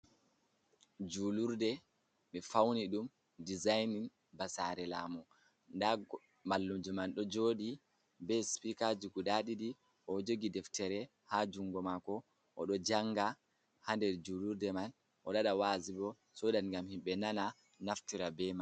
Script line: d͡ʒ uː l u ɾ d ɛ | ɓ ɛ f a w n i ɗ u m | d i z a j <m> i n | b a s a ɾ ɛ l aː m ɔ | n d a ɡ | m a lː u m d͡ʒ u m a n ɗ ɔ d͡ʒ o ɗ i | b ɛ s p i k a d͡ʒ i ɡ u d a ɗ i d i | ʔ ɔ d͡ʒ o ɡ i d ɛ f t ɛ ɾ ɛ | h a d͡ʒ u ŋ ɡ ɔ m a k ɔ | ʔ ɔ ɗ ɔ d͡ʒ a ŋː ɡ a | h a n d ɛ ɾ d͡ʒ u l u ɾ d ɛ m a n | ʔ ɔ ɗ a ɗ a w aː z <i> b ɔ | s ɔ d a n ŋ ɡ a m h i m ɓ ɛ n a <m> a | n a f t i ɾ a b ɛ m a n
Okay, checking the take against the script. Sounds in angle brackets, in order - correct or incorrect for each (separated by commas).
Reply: incorrect, correct, incorrect